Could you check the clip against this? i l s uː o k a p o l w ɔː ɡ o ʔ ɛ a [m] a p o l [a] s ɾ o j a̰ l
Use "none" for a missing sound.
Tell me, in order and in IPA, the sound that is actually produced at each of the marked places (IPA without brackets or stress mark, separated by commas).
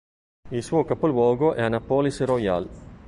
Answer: n, i